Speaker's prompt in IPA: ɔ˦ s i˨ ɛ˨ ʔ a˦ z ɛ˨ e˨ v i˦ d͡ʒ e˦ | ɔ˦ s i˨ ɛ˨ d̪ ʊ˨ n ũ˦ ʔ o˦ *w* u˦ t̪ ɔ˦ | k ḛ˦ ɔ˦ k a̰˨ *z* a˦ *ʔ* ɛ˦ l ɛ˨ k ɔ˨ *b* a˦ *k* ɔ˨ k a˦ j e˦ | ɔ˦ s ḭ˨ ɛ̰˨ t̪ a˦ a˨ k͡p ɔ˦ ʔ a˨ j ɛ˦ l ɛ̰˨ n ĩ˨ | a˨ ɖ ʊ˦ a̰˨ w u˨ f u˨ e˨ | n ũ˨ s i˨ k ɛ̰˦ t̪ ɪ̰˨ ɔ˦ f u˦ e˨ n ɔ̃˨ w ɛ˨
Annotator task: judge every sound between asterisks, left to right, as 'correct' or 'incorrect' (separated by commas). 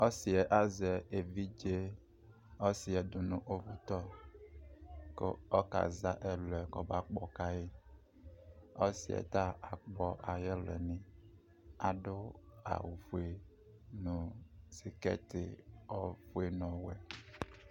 incorrect, correct, correct, correct, incorrect